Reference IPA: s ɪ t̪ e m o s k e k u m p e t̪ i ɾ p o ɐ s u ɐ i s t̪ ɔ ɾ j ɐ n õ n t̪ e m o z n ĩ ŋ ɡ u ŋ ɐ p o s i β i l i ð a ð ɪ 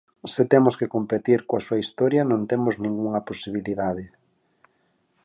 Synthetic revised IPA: s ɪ t̪ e m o s k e k o m p e t̪ i ɾ k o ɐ s u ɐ i s t̪ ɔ ɾ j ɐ n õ n t̪ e m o z n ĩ ŋ ɡ u ŋ ɐ p o s i β i l i ð a ð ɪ